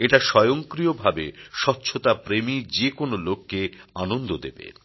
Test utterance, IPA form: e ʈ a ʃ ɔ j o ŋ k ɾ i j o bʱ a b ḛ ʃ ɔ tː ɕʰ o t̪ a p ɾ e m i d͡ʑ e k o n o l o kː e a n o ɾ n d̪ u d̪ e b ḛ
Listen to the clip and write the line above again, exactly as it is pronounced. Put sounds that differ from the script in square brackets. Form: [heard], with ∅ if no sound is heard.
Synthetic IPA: e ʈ a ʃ ɔ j o ŋ k ɾ i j o bʱ a b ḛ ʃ ɔ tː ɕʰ o t̪ a p ɾ e m i d͡ʑ e k o n o l o kː e a n o [∅] n d̪ [o] d̪ e b ḛ

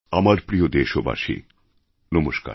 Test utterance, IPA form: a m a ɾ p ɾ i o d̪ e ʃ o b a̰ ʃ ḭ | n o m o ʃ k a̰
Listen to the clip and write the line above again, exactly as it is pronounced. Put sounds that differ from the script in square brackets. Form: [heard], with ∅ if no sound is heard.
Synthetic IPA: a m a ɾ p ɾ i o d̪ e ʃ o b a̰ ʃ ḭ | n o m o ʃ k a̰

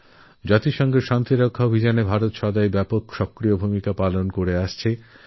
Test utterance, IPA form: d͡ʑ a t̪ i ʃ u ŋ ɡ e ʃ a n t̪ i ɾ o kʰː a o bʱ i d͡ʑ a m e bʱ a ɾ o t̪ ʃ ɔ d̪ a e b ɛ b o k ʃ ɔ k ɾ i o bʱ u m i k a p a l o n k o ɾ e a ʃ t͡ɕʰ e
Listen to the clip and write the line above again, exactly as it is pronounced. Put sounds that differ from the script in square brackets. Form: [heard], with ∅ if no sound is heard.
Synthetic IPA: d͡ʑ a t̪ i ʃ [ɔ] ŋ ɡ e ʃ a n t̪ i ɾ o kʰː a o bʱ i d͡ʑ a [n] e bʱ a ɾ o t̪ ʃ ɔ d̪ a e b ɛ [p] o k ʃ ɔ k ɾ i o bʱ u m i k a p a l o n k o ɾ e a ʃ t͡ɕʰ e

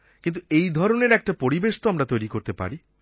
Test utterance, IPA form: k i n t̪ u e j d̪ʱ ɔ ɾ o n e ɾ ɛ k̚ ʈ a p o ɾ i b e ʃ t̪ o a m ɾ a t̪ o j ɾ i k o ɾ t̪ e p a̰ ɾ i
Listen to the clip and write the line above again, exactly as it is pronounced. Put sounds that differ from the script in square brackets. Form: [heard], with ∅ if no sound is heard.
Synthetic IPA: k i n t̪ u e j d̪ʱ ɔ ɾ o n e ɾ ɛ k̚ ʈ a p o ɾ i b e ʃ t̪ o a m ɾ a t̪ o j ɾ i k o ɾ t̪ e p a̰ ɾ i

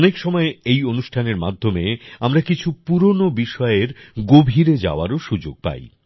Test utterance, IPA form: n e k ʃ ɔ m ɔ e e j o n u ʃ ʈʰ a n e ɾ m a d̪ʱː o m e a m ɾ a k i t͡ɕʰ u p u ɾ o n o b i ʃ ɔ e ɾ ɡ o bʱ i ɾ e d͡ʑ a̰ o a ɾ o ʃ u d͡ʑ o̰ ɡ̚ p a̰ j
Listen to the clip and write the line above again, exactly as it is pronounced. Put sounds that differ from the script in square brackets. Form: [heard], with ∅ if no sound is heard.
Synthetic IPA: n e k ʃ ɔ m ɔ e e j o n u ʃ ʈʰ a n e ɾ m a d̪ʱː o m e a m ɾ a k i t͡ɕʰ u p u ɾ o n o b i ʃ ɔ e ɾ ɡ o bʱ i ɾ e d͡ʑ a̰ o a ɾ o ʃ u d͡ʑ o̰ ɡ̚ p a̰ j

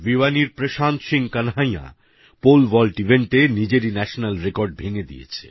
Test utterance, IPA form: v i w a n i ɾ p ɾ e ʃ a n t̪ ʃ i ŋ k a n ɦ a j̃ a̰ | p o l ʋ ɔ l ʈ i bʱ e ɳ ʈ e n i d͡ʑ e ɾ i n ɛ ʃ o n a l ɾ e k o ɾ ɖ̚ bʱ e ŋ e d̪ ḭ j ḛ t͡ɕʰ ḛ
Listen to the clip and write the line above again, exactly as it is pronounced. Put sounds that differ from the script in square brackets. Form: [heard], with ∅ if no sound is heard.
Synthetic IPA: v i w a n i ɾ p ɾ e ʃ a n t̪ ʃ i ŋ k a n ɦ a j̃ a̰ | p o l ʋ ɔ l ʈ i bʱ e ɳ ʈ e n i d͡ʑ e ɾ i n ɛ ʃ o n a l ɾ e k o ɾ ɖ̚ bʱ e ŋ e d̪ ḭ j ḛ t͡ɕʰ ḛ

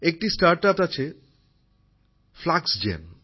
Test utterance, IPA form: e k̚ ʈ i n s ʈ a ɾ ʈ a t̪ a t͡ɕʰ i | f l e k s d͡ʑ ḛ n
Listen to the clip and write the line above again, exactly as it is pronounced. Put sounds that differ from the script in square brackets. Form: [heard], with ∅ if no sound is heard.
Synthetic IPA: e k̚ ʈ i [∅] s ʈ a ɾ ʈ a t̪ a t͡ɕʰ [e] | f l [a] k s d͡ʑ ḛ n

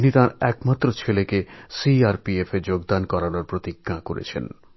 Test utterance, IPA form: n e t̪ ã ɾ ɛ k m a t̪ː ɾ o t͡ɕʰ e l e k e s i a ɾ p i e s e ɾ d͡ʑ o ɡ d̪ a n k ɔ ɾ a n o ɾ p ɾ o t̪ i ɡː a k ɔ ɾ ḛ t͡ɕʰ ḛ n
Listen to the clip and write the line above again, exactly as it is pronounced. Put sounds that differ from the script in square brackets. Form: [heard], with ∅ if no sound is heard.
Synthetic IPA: n [i] t̪ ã ɾ ɛ k m a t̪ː ɾ o t͡ɕʰ e l e k e s i a ɾ p i e [f] e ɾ d͡ʑ o ɡ d̪ a n k ɔ ɾ a n o ɾ p ɾ o t̪ i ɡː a k [o] ɾ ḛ t͡ɕʰ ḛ n

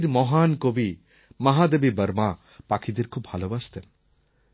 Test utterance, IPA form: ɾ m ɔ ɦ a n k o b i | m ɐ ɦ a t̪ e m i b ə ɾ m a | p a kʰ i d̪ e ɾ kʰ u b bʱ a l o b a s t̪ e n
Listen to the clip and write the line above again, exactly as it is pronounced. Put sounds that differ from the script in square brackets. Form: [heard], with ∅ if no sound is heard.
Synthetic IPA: ɾ m ɔ ɦ a n k o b i | m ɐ ɦ a [d̪] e [b] i b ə ɾ m a | p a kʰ i d̪ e ɾ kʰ u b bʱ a l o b a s t̪ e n

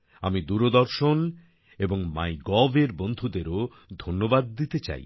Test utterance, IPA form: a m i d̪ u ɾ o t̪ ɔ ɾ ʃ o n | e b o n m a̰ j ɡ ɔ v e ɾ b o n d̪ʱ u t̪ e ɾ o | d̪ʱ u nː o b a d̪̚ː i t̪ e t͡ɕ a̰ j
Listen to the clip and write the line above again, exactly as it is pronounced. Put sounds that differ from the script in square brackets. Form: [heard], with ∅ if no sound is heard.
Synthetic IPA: a m i d̪ u ɾ o [d̪] ɔ ɾ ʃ o n | e b o [ŋ] m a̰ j ɡ ɔ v e ɾ b o n d̪ʱ u [d̪] e ɾ o | d̪ʱ [o] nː o b a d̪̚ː i t̪ e t͡ɕ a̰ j

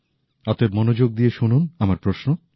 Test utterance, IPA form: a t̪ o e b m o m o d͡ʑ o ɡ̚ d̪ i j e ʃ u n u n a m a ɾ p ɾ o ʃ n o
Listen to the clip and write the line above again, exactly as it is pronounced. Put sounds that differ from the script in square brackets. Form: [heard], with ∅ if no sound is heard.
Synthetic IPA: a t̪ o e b m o [n] o d͡ʑ o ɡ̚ d̪ i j e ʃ u n u n a m a ɾ p ɾ o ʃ n o

